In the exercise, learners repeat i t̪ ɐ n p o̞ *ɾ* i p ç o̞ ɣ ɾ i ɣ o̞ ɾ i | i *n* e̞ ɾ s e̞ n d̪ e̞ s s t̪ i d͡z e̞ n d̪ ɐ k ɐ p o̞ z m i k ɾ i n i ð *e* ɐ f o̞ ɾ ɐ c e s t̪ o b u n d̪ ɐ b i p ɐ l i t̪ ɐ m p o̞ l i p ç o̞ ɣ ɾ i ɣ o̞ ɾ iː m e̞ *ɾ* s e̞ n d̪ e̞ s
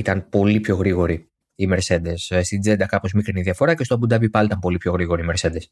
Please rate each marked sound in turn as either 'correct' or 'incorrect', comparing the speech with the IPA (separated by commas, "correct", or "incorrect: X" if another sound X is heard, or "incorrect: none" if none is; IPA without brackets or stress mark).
incorrect: l, incorrect: m, incorrect: i, correct